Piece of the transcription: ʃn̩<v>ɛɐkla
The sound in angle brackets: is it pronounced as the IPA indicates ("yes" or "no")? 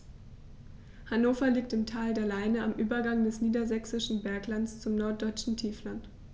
no